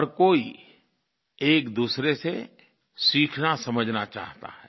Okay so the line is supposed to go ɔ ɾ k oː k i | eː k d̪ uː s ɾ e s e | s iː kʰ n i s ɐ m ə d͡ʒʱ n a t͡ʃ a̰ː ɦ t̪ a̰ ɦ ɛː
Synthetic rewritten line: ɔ ɾ k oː i | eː k d̪ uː s ɾ e s e | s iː kʰ n a s ɐ m ə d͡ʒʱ n a t͡ʃ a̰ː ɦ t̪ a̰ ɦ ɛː

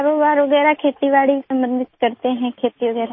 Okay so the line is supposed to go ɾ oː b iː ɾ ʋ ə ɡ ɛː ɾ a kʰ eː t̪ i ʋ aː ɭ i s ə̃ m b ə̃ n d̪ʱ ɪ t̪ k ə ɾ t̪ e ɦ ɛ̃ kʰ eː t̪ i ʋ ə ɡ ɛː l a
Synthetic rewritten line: ɾ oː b aː ɾ ʋ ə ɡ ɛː ɾ a kʰ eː t̪ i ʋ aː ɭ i s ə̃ m b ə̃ n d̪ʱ ɪ t̪ k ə ɾ t̪ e ɦ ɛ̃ kʰ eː t̪ i ʋ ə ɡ ɛː ɾ a

